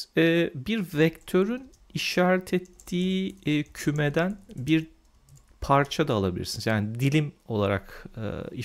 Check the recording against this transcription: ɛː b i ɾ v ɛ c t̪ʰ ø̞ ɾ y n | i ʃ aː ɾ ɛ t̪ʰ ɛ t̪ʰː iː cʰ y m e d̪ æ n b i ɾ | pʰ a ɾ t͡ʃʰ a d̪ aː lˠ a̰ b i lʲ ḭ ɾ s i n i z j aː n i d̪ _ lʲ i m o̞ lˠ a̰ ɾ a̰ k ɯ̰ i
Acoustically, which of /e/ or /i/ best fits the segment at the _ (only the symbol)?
i